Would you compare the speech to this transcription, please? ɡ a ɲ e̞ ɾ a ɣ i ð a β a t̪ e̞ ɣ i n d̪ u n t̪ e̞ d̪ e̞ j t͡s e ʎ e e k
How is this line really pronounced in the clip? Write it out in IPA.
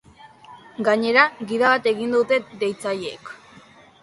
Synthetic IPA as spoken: ɡ a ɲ e̞ ɾ a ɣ i ð a β a t̪ e̞ ɣ i n d̪ u t̪ e̞ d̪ e̞ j t͡s a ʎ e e k

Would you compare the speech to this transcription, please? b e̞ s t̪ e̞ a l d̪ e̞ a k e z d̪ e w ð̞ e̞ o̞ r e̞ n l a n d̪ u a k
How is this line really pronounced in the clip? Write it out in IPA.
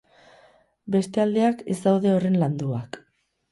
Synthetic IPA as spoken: b e̞ s t̪ e̞ a l d̪ e̞ a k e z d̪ a w ð̞ e̞ o̞ r e̞ n l a n d̪ u a k

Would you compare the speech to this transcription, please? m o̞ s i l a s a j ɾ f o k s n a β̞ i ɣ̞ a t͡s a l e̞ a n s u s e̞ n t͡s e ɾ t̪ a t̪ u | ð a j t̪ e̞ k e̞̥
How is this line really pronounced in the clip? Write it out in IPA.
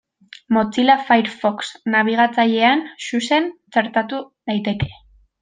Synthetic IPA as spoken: m o̞ t͡s i l a f a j ɾ f o k s n a β̞ i ɣ̞ a t͡s a ʎ e̞ a n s u s e̞ n t͡s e ɾ t̪ a t̪ u | ð a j t̪ e̞ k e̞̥

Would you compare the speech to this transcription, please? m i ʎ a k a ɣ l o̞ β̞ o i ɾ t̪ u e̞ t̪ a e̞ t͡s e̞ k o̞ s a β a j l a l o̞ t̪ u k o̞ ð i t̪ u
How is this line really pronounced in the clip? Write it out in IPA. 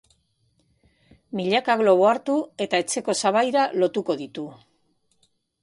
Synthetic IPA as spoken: m i ʎ a k a ɣ l o̞ β̞ o a ɾ t̪ u e̞ t̪ a e̞ t͡s e̞ k o̞ s a β a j ɾ a l o̞ t̪ u k o̞ ð i t̪ u

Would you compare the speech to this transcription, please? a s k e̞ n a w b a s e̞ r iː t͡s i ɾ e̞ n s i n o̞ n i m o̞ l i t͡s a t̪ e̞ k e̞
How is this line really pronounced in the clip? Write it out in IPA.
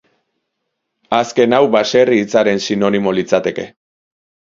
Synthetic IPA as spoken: a s k e̞ n a w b a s e̞ r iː t͡s a ɾ e̞ n s i n o̞ n i m o̞ l i t͡s a t̪ e̞ k e̞

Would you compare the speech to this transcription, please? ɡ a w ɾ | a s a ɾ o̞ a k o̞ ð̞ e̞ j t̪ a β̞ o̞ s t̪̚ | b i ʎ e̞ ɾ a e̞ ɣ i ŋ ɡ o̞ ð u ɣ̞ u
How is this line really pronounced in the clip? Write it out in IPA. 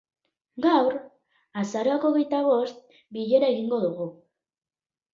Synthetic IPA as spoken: ɡ a w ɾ | a s a ɾ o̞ a k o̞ ɣ̞ e̞ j t̪ a β̞ o̞ s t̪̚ | b i ʎ e̞ ɾ a e̞ ɣ i ŋ ɡ o̞ ð u ɣ̞ u

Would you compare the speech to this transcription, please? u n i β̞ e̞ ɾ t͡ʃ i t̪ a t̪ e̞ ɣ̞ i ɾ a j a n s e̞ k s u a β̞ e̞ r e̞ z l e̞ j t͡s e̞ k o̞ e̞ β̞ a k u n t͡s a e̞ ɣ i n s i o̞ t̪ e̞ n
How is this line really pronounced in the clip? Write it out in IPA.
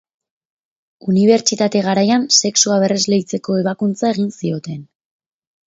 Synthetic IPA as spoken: u n i β̞ e̞ ɾ t͡ʃ i t̪ a t̪ e̞ ɣ̞ a ɾ a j a n s e̞ k s u a β̞ e̞ r e̞ z l e̞ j t͡s e̞ k o̞ e̞ β̞ a k u n t͡s a e̞ ɣ i n s i o̞ t̪ e̞ n

